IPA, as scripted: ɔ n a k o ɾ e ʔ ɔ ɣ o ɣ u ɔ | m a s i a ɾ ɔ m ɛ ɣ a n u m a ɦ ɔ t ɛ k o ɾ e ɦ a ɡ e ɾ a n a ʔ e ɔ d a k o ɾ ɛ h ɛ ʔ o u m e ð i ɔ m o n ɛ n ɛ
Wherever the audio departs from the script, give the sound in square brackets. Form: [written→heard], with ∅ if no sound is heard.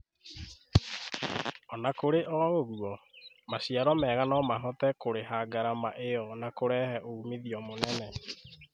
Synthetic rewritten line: ɔ n a k o ɾ e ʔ ɔ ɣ o ɣ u ɔ | m a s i a ɾ ɔ m ɛ ɣ a n [u→ɔ] m a ɦ ɔ t ɛ k o ɾ e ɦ a ɡ [e→a] ɾ a [n→m] a ʔ e ɔ [d→n] a k o ɾ ɛ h ɛ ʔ o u m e ð i ɔ m o n ɛ n ɛ